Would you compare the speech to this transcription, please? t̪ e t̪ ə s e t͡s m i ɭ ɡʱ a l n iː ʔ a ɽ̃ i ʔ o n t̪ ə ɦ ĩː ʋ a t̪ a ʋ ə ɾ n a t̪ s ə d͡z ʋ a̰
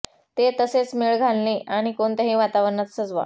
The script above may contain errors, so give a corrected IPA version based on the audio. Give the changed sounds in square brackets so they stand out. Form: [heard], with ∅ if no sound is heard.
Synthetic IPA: t̪ e t̪ ə s e t͡s m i ɭ ɡʱ a l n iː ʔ a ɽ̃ i [k] o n t̪ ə ɦ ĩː ʋ a t̪ a ʋ ə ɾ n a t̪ s ə d͡z ʋ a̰